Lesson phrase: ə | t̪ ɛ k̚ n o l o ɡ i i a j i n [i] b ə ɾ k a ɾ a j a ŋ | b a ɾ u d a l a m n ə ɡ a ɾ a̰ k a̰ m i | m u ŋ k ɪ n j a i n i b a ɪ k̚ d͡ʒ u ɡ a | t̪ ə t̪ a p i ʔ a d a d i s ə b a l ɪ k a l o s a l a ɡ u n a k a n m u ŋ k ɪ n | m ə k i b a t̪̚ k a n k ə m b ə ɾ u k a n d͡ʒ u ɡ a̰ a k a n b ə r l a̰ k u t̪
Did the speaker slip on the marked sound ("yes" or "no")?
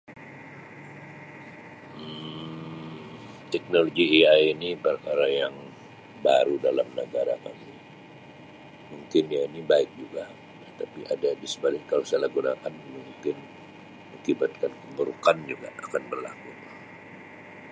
no